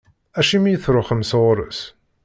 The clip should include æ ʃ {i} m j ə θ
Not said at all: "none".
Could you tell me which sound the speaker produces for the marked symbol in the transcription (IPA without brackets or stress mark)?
i